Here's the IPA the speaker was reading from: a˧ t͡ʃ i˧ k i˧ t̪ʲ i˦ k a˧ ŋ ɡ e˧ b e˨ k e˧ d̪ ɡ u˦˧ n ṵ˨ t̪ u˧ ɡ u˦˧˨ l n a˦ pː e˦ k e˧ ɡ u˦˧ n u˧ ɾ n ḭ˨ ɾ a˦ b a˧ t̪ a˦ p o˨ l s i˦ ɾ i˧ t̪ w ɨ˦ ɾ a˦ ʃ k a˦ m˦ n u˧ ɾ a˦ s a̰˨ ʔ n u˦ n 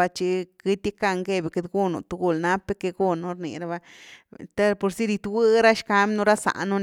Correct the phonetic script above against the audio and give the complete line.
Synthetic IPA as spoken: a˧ t͡ʃ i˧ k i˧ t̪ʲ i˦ k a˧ ŋ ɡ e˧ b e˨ k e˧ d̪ ɡ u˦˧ n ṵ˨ t̪ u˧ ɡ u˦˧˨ l n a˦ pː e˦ k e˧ ɡ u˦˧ n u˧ ɾ n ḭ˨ ɾ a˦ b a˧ t̪ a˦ p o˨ ɾ s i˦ ɾ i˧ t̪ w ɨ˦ ɾ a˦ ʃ k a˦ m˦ n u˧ ɾ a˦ s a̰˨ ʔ n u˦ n